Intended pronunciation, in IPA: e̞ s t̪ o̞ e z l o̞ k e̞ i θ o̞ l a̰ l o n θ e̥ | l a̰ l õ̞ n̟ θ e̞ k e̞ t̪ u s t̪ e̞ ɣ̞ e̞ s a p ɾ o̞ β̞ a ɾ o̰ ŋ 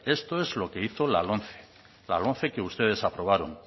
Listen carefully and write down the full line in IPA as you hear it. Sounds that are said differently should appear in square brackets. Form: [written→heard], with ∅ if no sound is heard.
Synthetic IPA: e̞ s t̪ o̞ e z l o̞ k e̞ i θ o̞ l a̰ l o n θ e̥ | l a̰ l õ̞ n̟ θ e̞ k e̞ [t̪→∅] u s t̪ e̞ [ɣ̞→ð̞] e̞ s a p ɾ o̞ β̞ a ɾ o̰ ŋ